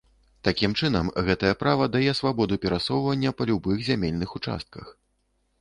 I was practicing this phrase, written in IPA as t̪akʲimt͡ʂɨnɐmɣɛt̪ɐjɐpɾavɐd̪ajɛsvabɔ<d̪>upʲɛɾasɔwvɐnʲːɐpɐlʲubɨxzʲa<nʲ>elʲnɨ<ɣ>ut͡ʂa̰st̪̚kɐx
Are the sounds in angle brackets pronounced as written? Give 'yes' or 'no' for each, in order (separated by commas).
yes, no, no